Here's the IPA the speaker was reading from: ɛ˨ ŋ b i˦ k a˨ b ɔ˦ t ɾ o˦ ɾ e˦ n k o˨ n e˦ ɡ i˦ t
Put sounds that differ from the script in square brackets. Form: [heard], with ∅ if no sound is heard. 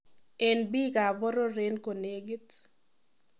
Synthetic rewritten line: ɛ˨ [n] b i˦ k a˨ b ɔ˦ [∅] ɾ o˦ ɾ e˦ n k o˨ n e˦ ɡ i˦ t